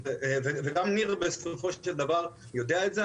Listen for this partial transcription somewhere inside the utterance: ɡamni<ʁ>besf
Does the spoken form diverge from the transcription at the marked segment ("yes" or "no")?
no